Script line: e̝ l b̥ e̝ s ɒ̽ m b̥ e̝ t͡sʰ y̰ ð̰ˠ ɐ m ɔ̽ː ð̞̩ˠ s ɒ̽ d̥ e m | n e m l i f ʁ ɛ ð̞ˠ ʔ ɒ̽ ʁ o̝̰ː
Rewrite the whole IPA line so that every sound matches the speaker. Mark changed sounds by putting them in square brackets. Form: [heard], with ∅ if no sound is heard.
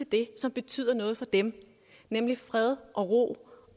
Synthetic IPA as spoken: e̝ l [d̥] e̝ s ɒ̽ m b̥ e̝ t͡sʰ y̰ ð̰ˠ ɐ [n] ɔ̽ː ð̞̩ˠ [f] ɒ̽ d̥ e m | n e m l i f ʁ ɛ ð̞ˠ ʔ ɒ̽ ʁ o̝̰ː